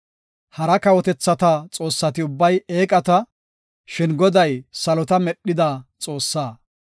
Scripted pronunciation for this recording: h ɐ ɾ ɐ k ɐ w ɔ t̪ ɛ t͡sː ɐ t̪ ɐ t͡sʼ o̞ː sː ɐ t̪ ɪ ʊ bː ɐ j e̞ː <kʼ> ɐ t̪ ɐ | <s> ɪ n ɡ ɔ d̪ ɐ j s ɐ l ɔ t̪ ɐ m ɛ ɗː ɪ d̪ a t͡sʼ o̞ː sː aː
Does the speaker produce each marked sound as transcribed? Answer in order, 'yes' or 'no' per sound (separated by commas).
yes, no